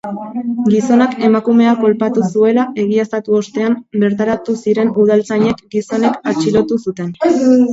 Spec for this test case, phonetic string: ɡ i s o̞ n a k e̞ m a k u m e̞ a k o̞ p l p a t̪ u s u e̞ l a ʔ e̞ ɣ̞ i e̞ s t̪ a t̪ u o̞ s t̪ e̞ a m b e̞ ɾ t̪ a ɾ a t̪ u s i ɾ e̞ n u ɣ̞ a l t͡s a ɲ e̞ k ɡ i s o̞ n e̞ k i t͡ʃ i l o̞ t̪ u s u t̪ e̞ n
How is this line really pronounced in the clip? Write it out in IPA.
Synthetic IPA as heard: ɡ i s o̞ n a k e̞ m a k u m e̞ a k o̞ l p a t̪ u s u e̞ l a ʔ e̞ ɣ̞ i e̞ s t̪ a t̪ u o̞ s t̪ e̞ a m b e̞ ɾ t̪ a ɾ a t̪ u s i ɾ e̞ n u ð̞ a l t͡s a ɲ e̞ k ɡ i s o̞ n e̞ k a t͡ʃ i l o̞ t̪ u s u t̪ e̞ n